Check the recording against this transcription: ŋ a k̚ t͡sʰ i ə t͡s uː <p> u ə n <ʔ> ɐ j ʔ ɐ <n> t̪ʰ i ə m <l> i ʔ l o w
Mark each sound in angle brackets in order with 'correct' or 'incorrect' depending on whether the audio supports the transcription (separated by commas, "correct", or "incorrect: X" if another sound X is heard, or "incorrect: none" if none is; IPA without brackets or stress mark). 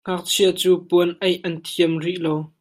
correct, correct, correct, incorrect: r